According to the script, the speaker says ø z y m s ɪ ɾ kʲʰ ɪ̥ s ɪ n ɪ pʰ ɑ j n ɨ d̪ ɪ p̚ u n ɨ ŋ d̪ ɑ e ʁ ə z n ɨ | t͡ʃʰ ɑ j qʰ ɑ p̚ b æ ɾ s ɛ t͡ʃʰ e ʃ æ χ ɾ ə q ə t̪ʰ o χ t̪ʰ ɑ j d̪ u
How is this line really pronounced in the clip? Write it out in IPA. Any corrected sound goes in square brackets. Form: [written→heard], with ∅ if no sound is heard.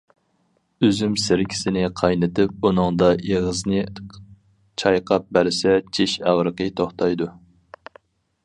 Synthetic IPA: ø z y m s ɪ ɾ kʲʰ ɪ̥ s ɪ n ɪ [pʰ→qʰ] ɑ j n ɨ [d̪→t̪] ɪ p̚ u n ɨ ŋ d̪ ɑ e ʁ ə z n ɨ | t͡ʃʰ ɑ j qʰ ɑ p̚ b æ ɾ s ɛ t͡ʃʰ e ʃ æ [χ→ʁ] ɾ ə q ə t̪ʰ o χ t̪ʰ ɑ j d̪ u